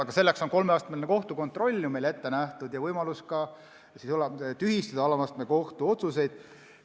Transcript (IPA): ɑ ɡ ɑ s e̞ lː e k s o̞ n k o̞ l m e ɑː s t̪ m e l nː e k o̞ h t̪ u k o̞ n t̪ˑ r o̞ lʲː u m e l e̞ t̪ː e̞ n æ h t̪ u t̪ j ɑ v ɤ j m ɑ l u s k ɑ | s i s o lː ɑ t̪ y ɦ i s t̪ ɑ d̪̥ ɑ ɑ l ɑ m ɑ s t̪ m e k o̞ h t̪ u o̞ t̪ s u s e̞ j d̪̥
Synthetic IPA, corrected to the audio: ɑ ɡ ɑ s e̞ lː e k s o̞ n k o̞ l m e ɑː s t̪ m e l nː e k o̞ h t̪ u k o̞ n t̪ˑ r o̞ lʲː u m e l e̞ t̪ː e̞ n æ h t̪ u d̪ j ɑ v ɤ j m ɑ l u s k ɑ | s i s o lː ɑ t̪ y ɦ i s t̪ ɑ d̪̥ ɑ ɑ l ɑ m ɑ s t̪ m e k o̞ h t̪ u o̞ t̪ s u s e̞ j d̪̥